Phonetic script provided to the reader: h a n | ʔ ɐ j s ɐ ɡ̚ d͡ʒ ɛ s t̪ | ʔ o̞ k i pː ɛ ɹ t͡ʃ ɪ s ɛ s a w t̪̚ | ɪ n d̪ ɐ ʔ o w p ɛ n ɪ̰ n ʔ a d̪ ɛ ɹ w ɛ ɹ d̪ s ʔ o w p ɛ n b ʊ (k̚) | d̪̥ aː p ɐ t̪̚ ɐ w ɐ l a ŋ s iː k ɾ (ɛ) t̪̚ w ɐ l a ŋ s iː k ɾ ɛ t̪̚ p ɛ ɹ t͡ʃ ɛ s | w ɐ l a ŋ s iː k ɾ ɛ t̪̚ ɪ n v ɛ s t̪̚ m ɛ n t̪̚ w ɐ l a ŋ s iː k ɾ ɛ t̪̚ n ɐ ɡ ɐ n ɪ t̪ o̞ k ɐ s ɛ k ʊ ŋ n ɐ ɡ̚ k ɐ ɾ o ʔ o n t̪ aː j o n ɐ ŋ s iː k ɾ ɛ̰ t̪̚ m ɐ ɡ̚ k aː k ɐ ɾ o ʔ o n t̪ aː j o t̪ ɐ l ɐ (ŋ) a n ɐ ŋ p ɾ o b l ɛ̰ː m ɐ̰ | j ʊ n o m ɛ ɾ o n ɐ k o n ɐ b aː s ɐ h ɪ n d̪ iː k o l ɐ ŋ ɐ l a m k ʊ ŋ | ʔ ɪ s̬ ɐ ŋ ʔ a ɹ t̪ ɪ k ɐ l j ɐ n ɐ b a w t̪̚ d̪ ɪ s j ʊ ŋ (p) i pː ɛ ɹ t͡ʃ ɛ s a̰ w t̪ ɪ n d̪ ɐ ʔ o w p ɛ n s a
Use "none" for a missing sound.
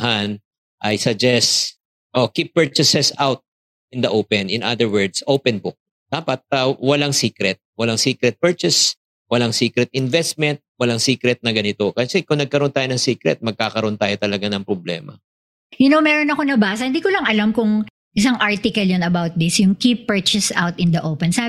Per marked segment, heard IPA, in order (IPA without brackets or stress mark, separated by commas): k̚, ɛ, ɡ, k